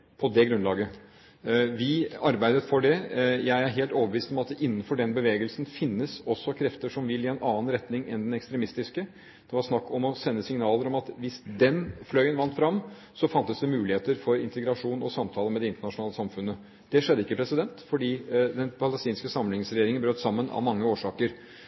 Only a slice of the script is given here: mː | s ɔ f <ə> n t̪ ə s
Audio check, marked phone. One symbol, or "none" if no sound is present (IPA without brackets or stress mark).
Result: ɑ